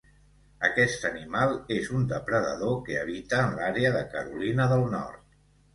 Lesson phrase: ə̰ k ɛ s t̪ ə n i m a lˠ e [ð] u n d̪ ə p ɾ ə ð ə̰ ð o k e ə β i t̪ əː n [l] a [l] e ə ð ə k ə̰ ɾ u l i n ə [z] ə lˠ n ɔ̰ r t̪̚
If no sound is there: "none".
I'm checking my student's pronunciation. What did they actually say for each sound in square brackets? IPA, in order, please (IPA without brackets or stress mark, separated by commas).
z, l, ɾ, ð